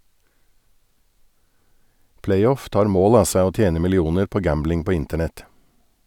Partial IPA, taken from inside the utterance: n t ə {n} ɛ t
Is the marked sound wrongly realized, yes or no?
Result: yes